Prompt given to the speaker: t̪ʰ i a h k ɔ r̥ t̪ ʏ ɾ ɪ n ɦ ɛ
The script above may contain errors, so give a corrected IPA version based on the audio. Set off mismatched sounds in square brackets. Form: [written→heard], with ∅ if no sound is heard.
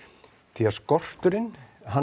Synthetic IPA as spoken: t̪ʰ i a [h→s] k ɔ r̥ t̪ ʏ ɾ ɪ n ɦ [ɛ→a]